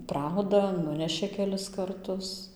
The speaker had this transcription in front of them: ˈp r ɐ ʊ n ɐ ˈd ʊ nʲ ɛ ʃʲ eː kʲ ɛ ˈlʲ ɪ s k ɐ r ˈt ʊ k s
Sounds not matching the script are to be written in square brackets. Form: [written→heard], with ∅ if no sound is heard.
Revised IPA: ˈp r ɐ ʊ [n→d] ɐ [ˈd→ˈn] ʊ nʲ ɛ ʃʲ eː kʲ ɛ ˈlʲ ɪ s k ɐ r ˈt ʊ [k→∅] s